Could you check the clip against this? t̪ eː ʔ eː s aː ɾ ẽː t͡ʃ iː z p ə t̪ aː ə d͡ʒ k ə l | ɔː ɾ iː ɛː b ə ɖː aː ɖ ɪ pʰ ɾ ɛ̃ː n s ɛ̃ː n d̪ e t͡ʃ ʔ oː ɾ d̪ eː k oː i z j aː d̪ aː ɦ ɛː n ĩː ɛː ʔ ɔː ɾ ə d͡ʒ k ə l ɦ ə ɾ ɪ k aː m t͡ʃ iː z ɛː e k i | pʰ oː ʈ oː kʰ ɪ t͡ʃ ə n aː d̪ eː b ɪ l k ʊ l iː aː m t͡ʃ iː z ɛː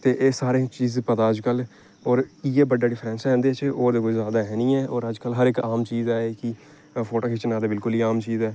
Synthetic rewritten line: t̪ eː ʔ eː s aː ɾ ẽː t͡ʃ iː z p ə t̪ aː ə d͡ʒ k ə l | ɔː ɾ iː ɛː b ə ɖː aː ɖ ɪ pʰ ɾ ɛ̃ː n s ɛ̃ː n d̪ e t͡ʃ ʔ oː ɾ d̪ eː k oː i z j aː d̪ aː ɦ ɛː n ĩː ɛː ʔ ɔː ɾ ə d͡ʒ k ə l ɦ ə ɾ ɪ k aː m t͡ʃ iː z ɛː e k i | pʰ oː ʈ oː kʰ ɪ t͡ʃ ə n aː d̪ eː b ɪ l k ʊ l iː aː m t͡ʃ iː z ɛː

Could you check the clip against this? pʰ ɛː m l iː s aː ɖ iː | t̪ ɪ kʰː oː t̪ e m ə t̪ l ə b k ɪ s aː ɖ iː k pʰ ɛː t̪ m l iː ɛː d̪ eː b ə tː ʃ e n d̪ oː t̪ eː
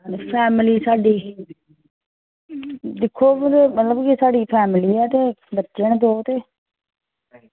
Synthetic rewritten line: pʰ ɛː m l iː s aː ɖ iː | d̪ ɪ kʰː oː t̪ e m ə t̪ l ə b k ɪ s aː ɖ iː pʰ ɛː m l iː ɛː t̪ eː b ə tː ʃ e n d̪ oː t̪ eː

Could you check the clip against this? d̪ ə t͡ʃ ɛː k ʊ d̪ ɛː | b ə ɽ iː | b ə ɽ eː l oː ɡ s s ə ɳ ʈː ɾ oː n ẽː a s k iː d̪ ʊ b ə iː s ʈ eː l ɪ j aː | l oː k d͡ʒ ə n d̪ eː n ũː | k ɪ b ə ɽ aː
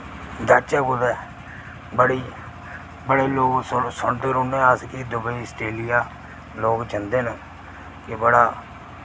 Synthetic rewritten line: d̪ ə t͡ʃ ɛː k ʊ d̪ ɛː | b ə ɽ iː | b ə ɽ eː l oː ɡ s s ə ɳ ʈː ɾ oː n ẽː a s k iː d̪ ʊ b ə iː s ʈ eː l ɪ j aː | l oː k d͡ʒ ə n d̪ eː n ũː | k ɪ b ə ɽ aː

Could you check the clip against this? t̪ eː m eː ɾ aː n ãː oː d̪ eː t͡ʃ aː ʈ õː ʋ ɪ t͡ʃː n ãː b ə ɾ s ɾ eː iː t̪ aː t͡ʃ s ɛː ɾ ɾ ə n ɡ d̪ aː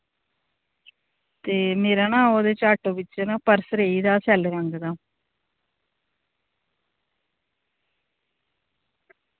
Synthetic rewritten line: t̪ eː m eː ɾ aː n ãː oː d̪ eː t͡ʃ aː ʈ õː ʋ ɪ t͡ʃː n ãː p ə ɾ s ɾ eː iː d̪ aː s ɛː l ɾ ə ŋ ɡ d̪ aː

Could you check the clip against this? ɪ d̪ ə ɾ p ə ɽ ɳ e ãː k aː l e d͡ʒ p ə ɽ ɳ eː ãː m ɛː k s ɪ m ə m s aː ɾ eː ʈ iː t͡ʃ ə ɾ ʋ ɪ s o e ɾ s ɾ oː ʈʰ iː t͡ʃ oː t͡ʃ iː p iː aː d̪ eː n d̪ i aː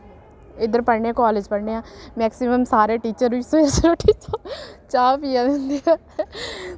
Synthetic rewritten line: ɪ d̪ ə ɾ p ə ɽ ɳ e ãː k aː l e d͡ʒ p ə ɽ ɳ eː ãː m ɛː k s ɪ m ə m s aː ɾ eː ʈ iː t͡ʃ ə ɾ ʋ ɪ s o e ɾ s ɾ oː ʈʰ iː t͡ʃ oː t͡ʃ aː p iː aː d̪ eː n d̪ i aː

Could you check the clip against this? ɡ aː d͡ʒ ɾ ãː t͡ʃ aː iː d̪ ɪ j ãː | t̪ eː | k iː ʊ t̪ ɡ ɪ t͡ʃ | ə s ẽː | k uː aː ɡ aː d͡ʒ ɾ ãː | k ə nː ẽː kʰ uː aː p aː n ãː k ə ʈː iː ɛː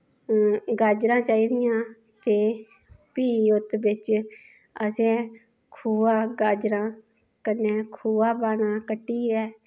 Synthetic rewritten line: ɡ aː d͡ʒ ɾ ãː t͡ʃ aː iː d̪ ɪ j ãː | t̪ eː | p iː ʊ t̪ b ɪ t͡ʃ | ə s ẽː | kʰ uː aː ɡ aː d͡ʒ ɾ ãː | k ə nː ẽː kʰ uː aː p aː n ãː k ə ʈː iː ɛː

